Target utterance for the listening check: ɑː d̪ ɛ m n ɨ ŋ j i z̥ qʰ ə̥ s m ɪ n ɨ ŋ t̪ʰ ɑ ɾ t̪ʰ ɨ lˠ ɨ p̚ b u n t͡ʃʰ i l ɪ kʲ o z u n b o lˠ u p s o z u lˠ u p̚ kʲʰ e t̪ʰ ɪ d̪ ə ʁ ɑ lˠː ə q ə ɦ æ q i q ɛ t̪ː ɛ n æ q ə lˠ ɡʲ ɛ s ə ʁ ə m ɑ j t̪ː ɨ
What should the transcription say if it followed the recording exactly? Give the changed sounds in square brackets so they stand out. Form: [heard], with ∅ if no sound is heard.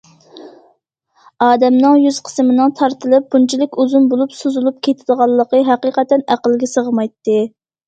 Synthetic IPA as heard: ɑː d̪ ɛ m n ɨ ŋ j [y] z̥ qʰ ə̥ s m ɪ n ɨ ŋ t̪ʰ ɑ ɾ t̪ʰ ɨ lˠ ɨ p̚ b u n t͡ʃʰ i l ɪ kʲ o z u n b o lˠ u p s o z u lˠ u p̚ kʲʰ e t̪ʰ ɪ d̪ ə ʁ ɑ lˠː ə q ə ɦ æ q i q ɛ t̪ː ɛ n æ q ə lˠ ɡʲ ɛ s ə ʁ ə m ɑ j t̪ː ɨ